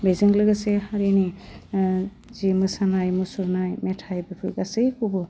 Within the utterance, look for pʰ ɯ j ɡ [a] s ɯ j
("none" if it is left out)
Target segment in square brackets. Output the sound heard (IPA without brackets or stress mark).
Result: a